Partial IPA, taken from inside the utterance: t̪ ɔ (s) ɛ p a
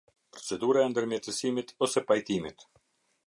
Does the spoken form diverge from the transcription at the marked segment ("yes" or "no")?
no